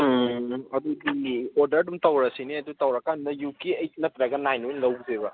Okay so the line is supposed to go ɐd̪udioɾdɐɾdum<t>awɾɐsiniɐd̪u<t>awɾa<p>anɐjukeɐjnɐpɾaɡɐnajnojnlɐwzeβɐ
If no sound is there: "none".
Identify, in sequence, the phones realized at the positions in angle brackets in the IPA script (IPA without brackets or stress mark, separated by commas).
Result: t, t, k